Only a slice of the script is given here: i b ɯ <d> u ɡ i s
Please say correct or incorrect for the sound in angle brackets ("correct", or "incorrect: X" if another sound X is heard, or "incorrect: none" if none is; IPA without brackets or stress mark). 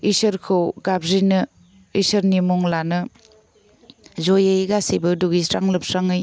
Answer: correct